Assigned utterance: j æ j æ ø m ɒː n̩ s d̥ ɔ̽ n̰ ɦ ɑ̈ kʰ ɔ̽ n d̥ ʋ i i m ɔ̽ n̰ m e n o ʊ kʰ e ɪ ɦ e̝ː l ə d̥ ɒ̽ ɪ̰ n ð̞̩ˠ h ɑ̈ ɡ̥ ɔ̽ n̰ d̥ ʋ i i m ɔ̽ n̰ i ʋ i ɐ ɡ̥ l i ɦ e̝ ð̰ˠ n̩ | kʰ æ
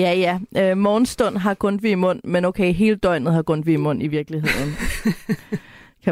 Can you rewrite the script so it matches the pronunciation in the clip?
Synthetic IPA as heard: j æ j æ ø m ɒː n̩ s d̥ ɔ̽ n̰ ɦ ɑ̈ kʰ ɔ̽ n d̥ ʋ i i m ɔ̽ n̰ m e n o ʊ kʰ e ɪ ɦ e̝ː l ə d̥ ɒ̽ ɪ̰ n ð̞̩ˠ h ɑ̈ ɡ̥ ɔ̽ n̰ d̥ ʋ i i m ɔ̽ n̰ i ʋ i ɐ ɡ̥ l i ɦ e̝ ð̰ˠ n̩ | kʰ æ